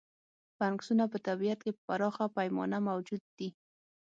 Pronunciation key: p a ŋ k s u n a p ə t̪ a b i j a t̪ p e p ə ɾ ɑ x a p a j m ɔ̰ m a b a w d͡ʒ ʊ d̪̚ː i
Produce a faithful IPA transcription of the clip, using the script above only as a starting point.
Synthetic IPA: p a ŋ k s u n a p ə t̪ a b i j a t̪ k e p a ɾ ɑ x a p a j m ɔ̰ n a m a w d͡ʒ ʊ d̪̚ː i